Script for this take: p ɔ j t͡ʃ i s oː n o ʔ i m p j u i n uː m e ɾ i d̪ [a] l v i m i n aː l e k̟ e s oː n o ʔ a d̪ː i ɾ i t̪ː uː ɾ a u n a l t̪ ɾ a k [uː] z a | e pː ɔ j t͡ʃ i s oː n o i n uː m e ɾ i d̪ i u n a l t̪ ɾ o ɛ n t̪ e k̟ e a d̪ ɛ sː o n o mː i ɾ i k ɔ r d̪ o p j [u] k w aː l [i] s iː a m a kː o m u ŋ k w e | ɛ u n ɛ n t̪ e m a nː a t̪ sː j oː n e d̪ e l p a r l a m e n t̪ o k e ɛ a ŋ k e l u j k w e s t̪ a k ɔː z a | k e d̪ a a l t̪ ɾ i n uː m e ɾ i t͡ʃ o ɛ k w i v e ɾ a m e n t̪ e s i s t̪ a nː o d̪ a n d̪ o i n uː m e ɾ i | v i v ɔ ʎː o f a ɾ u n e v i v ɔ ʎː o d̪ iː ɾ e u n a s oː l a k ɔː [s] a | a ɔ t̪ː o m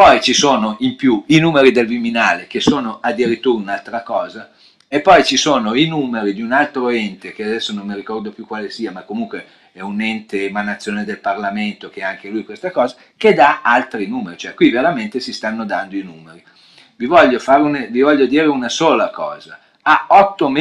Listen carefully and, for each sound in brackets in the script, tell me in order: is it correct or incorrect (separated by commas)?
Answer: incorrect, incorrect, correct, incorrect, incorrect